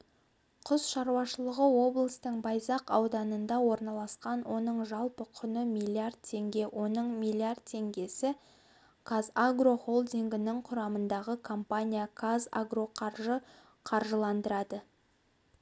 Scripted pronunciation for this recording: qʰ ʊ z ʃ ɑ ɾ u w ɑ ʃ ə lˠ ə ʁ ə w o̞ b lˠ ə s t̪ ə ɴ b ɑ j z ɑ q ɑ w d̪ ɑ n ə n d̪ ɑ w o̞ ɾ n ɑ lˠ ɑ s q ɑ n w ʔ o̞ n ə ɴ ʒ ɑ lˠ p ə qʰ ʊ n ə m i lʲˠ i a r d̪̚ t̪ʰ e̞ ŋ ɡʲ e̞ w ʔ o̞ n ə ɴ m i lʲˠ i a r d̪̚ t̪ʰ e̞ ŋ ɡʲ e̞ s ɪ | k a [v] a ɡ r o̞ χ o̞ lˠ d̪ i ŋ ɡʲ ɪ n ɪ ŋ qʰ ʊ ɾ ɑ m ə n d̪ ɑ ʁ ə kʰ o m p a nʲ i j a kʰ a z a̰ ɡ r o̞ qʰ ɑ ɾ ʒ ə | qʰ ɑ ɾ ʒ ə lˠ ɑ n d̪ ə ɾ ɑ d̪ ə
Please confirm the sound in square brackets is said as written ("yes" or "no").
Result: no